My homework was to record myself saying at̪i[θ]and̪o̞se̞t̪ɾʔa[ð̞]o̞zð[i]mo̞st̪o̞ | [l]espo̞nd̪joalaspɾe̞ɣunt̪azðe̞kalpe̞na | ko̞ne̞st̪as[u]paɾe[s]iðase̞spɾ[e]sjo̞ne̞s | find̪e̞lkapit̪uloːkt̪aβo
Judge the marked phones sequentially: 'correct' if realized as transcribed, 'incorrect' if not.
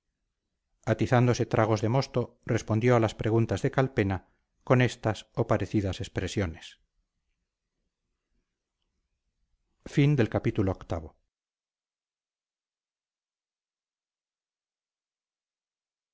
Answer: correct, incorrect: ɣ̞, incorrect: e, incorrect: r, incorrect: o, incorrect: θ, correct

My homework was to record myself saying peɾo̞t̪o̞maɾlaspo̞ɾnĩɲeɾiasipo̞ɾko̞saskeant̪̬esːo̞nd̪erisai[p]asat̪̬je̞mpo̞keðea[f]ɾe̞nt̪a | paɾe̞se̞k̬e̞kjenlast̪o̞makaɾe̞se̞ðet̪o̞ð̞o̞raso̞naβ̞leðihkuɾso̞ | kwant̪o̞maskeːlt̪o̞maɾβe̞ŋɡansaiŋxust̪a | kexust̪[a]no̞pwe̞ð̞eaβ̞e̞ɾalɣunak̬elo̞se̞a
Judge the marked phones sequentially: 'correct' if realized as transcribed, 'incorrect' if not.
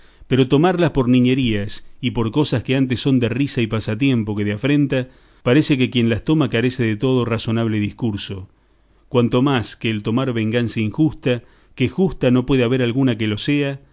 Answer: correct, correct, correct

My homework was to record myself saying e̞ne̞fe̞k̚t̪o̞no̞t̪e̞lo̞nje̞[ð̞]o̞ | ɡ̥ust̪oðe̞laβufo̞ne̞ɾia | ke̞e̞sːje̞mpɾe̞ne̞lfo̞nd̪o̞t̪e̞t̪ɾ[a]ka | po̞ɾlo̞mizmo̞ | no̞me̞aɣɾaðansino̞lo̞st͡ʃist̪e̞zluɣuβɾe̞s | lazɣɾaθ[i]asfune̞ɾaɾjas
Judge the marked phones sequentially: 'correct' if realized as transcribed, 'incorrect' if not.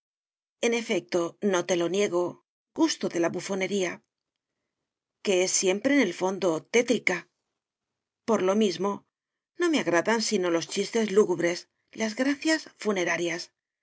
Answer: incorrect: ɣ̞, incorrect: i, incorrect: j

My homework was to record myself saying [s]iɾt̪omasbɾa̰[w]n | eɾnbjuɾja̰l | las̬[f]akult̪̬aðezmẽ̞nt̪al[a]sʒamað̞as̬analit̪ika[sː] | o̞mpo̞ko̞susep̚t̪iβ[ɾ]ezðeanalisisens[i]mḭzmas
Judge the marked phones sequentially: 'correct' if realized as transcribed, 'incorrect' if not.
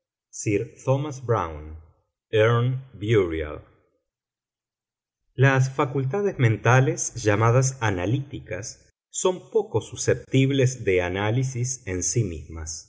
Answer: correct, correct, correct, incorrect: e, correct, incorrect: l, correct

